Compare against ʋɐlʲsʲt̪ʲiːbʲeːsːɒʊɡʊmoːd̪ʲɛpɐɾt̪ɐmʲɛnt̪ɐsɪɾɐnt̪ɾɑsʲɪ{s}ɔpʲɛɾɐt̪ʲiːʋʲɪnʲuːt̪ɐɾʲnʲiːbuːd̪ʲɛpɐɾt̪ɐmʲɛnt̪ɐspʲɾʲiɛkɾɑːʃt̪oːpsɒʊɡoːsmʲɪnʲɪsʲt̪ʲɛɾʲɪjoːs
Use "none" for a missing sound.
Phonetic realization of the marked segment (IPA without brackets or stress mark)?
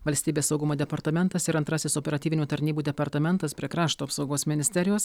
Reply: s